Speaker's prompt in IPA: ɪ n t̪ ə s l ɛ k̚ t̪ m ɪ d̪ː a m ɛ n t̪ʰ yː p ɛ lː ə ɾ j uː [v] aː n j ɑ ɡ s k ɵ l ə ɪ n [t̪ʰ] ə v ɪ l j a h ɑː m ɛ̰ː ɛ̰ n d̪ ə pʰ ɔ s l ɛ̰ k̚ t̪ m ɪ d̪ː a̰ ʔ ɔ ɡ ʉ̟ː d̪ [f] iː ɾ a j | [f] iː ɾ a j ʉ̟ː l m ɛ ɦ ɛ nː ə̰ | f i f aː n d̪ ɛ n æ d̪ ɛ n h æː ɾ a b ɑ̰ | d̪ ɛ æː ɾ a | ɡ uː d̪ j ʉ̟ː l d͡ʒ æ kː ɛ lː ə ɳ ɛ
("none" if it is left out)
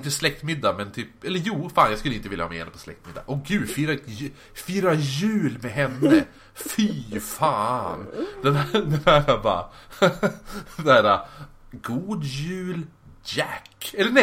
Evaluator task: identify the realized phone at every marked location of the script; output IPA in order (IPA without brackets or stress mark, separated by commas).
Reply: f, t̪, f, f